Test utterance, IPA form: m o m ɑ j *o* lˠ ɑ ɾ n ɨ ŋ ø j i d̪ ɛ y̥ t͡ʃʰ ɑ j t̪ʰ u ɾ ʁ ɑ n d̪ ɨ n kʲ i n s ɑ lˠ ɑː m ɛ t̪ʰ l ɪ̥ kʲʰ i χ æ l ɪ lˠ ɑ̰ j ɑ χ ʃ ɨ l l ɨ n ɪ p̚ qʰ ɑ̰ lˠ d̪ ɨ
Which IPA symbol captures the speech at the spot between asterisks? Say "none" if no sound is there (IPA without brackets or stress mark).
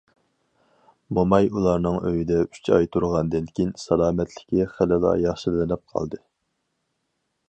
u